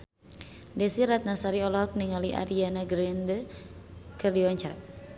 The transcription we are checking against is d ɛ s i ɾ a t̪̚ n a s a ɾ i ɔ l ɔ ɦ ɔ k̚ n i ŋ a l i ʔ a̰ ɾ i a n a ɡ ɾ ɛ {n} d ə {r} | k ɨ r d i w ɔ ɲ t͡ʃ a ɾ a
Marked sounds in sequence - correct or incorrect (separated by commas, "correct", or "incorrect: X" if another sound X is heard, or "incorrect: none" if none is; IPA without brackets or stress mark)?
correct, incorrect: none